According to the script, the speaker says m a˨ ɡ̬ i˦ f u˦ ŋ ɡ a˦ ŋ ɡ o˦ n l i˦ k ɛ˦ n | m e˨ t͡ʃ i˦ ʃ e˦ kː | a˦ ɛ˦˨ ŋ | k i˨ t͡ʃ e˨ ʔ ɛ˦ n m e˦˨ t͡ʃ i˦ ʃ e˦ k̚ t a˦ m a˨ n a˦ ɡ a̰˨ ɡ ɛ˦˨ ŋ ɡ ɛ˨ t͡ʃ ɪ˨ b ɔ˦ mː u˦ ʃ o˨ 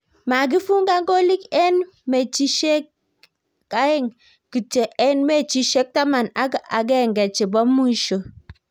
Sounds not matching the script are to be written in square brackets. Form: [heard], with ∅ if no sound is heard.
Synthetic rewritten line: m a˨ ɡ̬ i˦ f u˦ ŋ ɡ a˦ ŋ ɡ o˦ [∅] l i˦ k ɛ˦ n | m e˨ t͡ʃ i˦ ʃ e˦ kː | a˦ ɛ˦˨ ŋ | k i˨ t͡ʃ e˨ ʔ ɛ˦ n m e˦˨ t͡ʃ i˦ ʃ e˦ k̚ t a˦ m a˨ n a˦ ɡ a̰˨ ɡ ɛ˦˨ ŋ ɡ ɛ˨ t͡ʃ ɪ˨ b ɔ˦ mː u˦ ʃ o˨